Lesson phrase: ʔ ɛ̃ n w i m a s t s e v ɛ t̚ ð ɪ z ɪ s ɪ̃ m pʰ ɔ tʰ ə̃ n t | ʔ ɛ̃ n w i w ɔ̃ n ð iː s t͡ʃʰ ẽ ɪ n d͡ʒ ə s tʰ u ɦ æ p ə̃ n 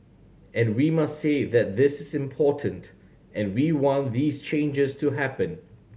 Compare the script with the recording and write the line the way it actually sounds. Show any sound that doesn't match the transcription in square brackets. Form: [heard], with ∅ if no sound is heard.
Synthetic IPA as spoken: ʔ ɛ̃ n w i m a s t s e [ð] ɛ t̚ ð ɪ [s] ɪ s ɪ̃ m pʰ ɔ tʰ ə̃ n t | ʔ ɛ̃ n w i w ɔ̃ n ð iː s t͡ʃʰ ẽ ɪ n d͡ʒ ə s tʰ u ɦ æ p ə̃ n